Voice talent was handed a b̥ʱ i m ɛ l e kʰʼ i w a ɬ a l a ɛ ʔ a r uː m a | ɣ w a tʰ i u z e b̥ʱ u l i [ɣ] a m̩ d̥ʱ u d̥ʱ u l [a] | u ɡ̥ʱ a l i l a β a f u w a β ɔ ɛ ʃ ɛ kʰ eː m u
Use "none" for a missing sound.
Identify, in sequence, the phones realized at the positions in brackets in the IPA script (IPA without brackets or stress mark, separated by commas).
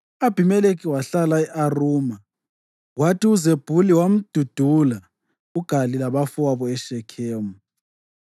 w, a